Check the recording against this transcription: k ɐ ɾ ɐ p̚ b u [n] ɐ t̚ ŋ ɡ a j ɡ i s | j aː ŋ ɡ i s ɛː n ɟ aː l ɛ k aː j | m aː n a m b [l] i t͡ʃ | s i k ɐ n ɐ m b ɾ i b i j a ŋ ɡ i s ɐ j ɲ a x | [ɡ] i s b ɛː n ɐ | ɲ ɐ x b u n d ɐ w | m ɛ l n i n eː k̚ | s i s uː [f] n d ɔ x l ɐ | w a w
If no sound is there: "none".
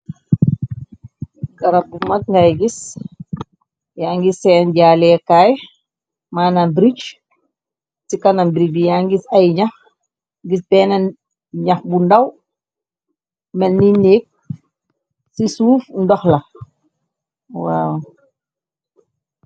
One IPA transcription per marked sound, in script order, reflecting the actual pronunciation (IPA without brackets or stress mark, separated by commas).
m, ɾ, ɡ, f